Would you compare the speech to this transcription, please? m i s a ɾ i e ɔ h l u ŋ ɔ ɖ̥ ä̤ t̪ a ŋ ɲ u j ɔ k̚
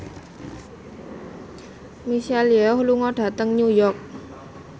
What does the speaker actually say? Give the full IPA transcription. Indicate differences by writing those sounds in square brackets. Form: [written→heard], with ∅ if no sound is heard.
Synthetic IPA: m i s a [ɾ→l] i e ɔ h l u ŋ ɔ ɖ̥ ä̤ t̪ [a→ə] ŋ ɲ u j ɔ k̚